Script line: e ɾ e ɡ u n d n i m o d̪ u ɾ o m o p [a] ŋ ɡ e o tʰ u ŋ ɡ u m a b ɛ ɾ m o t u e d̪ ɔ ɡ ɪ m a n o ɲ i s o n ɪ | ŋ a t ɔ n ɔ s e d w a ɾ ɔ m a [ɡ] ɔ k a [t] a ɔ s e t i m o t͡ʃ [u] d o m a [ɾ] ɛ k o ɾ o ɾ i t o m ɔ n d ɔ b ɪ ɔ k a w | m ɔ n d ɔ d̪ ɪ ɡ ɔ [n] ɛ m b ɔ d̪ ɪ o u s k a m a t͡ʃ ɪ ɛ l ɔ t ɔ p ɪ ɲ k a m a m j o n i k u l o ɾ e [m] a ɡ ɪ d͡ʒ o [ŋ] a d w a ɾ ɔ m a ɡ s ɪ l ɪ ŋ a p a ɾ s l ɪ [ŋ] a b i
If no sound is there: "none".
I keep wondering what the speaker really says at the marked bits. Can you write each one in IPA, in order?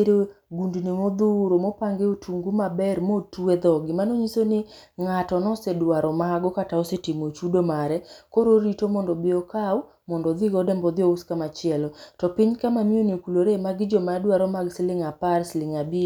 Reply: a, ɡ, t, u, ɾ, d, m, m, ŋ

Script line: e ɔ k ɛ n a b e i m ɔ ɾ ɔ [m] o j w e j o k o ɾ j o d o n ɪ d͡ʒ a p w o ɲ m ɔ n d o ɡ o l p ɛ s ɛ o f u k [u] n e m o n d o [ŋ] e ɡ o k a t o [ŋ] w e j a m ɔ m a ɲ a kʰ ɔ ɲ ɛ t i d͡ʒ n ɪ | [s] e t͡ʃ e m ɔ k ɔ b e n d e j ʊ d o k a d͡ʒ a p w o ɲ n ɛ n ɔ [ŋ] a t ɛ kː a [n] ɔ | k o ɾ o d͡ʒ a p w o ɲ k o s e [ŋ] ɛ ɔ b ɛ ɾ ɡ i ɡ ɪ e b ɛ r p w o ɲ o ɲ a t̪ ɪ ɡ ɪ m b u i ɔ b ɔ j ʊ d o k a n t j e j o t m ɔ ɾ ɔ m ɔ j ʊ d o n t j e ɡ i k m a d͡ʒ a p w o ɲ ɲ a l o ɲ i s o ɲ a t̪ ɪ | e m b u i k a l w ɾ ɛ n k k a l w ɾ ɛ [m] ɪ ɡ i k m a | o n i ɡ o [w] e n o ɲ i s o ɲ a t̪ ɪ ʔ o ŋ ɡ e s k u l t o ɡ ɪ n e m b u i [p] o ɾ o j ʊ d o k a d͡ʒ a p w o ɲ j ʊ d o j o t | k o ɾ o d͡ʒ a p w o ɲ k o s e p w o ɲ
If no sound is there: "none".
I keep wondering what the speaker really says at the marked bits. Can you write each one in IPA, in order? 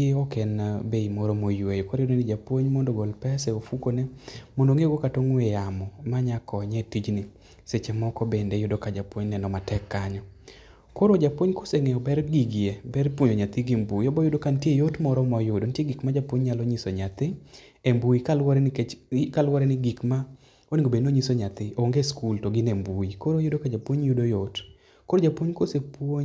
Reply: m, o, ŋ, ŋ, s, m, ɲ, ŋ, n, b, k

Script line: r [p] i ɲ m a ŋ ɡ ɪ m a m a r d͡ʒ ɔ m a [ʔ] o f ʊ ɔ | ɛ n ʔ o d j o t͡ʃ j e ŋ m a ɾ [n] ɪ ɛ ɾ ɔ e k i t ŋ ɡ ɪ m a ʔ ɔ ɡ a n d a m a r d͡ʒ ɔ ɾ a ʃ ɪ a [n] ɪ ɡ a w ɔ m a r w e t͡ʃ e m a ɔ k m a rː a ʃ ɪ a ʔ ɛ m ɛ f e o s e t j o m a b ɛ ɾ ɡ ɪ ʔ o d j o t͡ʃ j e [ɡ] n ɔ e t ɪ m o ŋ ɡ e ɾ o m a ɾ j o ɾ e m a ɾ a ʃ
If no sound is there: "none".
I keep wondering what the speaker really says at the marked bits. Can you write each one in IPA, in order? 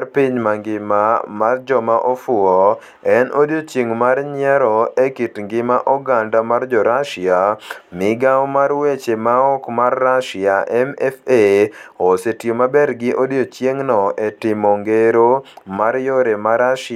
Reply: p, ʔ, ɲ, m, ŋ

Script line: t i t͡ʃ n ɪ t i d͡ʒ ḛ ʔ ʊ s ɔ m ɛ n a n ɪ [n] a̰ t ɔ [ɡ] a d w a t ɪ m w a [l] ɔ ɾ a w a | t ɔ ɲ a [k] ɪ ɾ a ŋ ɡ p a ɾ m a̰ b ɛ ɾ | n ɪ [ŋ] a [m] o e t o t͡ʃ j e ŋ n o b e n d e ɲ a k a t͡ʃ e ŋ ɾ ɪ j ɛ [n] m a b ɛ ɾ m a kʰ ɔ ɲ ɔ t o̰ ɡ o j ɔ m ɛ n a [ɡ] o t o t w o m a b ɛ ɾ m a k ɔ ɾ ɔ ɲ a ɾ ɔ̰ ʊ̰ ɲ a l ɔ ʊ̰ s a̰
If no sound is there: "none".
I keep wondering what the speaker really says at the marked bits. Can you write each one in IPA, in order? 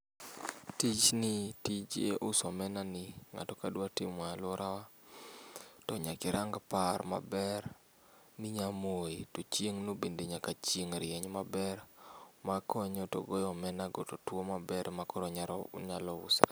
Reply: ŋ, k, l, k, ɲ, m, ɲ, ɡ

